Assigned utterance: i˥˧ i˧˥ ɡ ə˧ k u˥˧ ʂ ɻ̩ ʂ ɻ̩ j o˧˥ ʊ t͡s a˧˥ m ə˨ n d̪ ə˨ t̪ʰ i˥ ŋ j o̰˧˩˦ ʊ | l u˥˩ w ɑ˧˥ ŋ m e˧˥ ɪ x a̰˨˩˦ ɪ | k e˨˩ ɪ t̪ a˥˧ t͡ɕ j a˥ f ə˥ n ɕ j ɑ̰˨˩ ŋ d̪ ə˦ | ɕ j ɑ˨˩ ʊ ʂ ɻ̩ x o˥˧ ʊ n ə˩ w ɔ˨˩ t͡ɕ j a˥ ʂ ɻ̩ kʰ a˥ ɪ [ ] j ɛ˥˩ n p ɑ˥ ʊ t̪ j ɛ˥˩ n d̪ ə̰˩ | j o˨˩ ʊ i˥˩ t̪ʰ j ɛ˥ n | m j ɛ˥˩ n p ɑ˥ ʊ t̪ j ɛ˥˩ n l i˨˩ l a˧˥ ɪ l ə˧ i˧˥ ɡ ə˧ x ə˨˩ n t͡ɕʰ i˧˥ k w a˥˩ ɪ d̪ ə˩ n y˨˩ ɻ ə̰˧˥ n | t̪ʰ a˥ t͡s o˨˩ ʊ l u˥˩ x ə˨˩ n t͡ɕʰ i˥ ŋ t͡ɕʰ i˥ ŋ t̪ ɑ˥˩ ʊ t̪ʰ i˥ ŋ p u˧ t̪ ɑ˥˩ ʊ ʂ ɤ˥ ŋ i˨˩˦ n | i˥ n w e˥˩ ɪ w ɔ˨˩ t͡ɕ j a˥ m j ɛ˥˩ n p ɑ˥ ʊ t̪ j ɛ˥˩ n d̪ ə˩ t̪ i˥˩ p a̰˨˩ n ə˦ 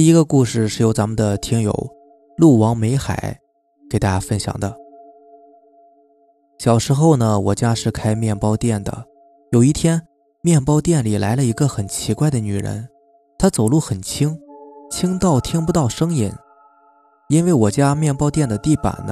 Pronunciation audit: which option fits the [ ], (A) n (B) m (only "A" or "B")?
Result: B